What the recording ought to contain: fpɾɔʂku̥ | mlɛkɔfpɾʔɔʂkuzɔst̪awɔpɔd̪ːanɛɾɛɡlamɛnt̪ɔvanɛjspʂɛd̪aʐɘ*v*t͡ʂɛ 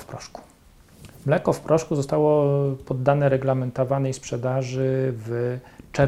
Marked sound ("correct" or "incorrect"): correct